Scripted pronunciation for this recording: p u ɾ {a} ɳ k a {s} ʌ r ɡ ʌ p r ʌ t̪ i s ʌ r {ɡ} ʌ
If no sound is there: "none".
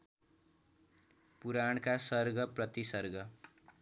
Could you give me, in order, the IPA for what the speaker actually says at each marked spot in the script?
a, s, ɡ

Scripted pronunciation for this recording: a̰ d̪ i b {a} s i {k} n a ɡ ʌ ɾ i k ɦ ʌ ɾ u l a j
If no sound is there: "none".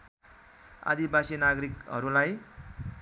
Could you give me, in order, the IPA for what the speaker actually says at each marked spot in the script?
a, none

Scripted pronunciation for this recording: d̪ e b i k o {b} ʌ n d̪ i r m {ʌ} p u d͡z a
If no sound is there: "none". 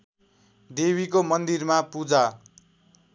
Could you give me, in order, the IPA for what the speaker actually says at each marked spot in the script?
m, a

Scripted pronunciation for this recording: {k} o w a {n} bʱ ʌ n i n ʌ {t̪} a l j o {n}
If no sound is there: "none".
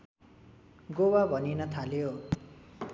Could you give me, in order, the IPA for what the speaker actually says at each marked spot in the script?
ɡ, none, t̪ʰ, none

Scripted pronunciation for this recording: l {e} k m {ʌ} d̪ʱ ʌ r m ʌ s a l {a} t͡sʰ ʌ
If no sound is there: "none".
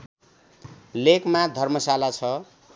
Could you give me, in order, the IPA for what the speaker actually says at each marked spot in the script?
e, a, a

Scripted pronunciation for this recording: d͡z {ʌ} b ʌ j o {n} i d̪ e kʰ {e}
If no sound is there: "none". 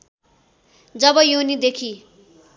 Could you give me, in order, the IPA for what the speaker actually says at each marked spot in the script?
ʌ, n, i

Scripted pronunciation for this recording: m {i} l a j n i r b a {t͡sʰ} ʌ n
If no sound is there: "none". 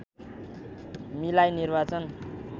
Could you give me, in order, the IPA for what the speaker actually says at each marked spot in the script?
i, t͡s

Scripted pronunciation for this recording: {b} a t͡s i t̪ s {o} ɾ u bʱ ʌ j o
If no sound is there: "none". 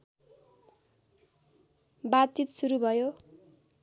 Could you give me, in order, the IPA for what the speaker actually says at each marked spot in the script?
b, u

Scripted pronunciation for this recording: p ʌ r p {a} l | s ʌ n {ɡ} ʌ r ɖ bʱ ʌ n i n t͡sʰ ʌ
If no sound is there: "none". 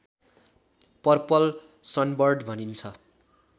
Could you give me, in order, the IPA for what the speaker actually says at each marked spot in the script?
ʌ, b

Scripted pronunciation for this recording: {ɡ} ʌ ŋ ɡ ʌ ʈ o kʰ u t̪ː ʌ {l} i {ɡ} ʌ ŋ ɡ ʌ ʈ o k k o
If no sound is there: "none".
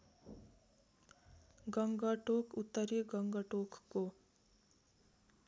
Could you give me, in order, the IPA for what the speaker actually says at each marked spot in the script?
ɡ, ɾ, ɡ

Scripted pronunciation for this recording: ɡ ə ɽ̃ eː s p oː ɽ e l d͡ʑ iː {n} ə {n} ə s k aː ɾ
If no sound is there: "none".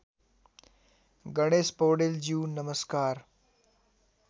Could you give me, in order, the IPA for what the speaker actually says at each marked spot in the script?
n, m

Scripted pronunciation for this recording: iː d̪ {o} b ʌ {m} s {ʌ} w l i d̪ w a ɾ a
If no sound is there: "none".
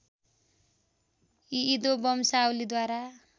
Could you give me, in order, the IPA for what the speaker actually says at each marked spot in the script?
o, m, a

